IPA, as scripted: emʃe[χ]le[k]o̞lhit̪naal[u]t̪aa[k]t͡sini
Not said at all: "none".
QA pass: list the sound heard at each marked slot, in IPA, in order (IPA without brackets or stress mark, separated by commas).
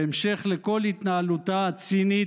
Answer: χ, k, u, none